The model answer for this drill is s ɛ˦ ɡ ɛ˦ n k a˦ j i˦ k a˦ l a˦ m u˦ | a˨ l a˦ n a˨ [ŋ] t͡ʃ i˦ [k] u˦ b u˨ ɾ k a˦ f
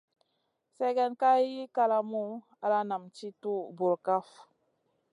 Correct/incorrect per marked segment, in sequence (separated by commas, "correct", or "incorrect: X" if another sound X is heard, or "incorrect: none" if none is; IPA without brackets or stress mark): incorrect: m, incorrect: t